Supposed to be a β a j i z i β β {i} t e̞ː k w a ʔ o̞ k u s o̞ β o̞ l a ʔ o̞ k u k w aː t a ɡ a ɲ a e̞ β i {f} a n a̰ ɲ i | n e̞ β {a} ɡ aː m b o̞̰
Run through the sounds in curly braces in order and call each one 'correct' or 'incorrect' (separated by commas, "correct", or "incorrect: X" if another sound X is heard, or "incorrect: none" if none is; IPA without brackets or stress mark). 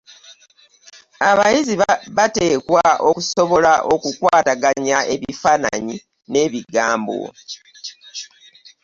incorrect: a, correct, incorrect: i